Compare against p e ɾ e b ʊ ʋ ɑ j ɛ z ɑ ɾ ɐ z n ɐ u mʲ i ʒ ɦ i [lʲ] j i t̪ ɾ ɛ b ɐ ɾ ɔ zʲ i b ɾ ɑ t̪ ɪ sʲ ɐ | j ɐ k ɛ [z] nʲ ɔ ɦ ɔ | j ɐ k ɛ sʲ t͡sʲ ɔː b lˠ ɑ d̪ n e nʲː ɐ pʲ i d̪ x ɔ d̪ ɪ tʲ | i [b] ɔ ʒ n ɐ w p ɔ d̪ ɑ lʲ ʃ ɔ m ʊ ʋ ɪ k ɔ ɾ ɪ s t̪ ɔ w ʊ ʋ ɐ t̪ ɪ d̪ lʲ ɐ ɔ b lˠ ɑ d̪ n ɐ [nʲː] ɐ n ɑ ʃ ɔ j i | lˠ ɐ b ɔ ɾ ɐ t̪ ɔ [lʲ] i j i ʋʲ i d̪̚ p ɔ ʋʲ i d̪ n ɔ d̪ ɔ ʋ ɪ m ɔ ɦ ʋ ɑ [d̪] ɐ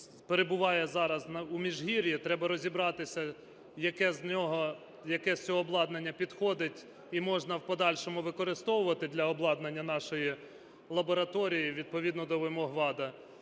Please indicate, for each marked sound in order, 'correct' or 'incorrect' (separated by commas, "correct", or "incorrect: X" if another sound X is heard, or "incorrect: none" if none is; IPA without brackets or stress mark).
incorrect: ɾʲ, correct, incorrect: m, correct, incorrect: ɾʲ, correct